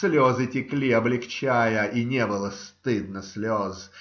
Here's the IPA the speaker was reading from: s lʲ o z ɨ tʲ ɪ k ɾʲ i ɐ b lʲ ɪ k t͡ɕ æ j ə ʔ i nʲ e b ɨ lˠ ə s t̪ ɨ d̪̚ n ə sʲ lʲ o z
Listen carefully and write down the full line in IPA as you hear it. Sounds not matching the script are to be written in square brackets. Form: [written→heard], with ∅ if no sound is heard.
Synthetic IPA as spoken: s lʲ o z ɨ tʲ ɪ k [ɾʲ→lʲ] i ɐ b lʲ ɪ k t͡ɕ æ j ə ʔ i nʲ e b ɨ lˠ ə s t̪ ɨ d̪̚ n ə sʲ lʲ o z